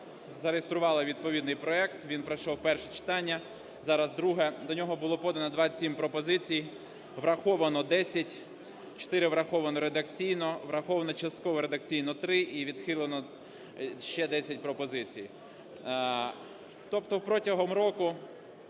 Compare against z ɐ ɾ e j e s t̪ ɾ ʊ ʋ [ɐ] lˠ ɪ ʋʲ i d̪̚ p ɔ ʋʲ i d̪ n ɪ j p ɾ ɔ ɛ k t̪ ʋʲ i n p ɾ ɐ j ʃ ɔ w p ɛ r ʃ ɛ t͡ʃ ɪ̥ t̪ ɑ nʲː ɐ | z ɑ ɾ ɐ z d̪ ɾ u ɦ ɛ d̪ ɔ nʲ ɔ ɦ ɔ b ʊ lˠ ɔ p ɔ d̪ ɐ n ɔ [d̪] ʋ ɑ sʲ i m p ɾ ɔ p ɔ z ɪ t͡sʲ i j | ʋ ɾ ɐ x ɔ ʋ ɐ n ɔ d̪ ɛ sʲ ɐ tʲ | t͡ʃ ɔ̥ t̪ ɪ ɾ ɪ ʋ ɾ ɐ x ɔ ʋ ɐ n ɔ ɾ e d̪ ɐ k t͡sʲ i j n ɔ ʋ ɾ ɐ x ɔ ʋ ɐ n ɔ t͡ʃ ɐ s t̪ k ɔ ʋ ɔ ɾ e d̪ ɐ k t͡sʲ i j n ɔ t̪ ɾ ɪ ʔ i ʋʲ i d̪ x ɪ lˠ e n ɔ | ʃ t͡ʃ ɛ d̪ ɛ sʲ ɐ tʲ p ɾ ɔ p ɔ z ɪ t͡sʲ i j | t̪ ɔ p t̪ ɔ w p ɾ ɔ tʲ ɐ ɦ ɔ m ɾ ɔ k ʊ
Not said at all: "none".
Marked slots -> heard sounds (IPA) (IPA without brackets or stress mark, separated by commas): ɑ, d̪